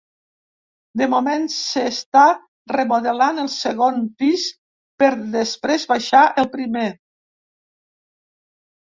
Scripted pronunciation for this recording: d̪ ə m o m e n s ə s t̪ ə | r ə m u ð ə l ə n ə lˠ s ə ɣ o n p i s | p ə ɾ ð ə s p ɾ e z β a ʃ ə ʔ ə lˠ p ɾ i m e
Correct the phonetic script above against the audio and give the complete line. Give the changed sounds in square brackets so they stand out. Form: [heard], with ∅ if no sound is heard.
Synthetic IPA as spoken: d̪ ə m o m e n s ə s t̪ [a] | r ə m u ð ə l [a] n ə lˠ s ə ɣ o n p i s | p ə ɾ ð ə s p ɾ e z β a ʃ [a] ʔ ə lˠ p ɾ i m e